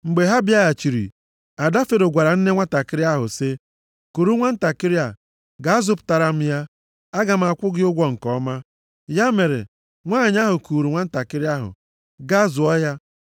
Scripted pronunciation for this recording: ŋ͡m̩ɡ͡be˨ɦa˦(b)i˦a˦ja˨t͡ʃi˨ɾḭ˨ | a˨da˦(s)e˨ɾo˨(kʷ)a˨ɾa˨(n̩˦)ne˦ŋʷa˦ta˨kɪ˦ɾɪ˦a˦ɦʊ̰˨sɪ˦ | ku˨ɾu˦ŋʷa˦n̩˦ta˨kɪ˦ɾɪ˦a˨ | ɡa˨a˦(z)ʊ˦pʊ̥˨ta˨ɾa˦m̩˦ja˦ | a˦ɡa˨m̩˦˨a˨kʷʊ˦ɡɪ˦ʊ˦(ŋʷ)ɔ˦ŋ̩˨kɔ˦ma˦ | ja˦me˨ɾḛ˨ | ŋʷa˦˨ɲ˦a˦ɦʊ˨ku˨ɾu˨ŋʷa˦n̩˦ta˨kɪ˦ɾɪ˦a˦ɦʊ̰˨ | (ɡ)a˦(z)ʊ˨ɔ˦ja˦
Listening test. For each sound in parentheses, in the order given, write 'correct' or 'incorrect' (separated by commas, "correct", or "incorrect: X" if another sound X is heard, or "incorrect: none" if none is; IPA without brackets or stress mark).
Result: correct, incorrect: f, incorrect: ɡʷ, correct, correct, incorrect: ɡʷ, correct, correct